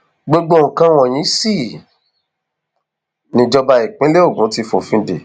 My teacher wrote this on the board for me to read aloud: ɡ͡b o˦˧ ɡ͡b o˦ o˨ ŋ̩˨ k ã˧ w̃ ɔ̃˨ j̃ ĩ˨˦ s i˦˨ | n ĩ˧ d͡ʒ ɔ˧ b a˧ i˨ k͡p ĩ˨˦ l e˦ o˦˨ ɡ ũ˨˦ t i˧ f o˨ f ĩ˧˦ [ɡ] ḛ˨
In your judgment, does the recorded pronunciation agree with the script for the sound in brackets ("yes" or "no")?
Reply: no